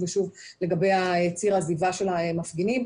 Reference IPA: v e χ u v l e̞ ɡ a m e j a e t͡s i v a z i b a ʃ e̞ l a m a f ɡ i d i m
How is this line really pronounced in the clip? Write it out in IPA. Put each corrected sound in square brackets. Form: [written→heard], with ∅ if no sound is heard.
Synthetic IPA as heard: v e [χ→ʃ] u v l e̞ ɡ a [m→b] e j a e t͡s i [v→ʁ] a z i [b→v] a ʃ e̞ l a m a f ɡ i [d→n] i m